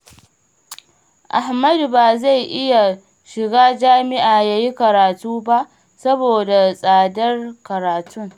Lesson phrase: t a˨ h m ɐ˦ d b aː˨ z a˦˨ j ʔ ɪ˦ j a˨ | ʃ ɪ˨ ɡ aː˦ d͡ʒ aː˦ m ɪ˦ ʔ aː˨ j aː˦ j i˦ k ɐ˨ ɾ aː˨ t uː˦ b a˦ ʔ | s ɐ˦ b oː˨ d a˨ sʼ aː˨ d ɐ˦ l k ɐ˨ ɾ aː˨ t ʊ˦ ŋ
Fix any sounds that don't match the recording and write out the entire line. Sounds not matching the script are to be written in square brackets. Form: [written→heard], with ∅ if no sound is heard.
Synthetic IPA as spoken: [t→ʔ] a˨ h m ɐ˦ d b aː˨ z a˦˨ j ʔ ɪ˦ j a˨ | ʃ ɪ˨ ɡ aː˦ d͡ʒ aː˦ m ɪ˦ ʔ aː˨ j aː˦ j i˦ k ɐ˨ ɾ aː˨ t uː˦ b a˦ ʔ | s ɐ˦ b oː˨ d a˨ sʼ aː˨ d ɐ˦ [l→r] k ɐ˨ ɾ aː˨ t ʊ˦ ŋ